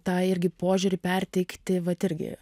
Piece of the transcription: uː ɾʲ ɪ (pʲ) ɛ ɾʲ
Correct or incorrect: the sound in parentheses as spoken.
correct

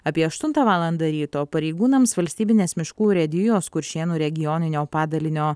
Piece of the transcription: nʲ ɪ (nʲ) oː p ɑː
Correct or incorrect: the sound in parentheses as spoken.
correct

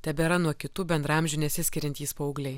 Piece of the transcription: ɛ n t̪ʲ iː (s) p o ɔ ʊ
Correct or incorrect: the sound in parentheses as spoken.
correct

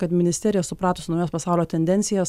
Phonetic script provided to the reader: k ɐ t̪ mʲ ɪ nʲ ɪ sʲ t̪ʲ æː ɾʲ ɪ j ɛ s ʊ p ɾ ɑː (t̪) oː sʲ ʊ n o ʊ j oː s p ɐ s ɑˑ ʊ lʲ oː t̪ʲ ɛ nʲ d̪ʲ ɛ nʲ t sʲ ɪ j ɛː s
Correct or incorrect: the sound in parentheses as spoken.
correct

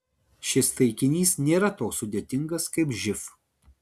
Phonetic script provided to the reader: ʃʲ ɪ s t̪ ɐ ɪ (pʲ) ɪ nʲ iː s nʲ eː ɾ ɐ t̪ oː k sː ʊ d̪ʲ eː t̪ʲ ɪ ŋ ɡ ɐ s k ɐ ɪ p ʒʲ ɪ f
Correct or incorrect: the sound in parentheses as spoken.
incorrect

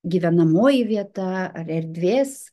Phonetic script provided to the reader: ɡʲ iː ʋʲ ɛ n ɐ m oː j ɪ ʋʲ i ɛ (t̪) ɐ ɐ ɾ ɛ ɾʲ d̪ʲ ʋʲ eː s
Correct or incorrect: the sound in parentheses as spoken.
correct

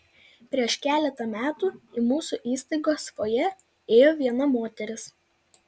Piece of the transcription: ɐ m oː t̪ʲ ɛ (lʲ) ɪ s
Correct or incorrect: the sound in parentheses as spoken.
incorrect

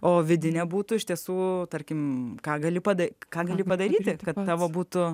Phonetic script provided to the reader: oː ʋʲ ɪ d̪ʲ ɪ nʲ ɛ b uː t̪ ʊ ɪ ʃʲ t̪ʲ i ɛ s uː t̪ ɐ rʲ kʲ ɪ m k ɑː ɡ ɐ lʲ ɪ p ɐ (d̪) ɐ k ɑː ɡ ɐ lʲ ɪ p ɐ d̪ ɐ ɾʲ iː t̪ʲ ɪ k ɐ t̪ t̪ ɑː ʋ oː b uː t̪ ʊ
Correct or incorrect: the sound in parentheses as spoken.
correct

